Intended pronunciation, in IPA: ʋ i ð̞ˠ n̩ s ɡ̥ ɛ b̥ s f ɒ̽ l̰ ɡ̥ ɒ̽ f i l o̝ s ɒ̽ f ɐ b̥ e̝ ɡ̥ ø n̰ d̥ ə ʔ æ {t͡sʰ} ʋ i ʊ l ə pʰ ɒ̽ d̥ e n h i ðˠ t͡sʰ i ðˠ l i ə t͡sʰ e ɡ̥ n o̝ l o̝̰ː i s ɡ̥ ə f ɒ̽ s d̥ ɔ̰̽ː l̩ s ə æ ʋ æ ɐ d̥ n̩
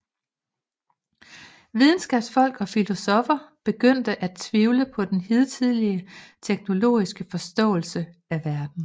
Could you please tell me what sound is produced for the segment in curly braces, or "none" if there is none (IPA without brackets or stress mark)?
t͡sʰ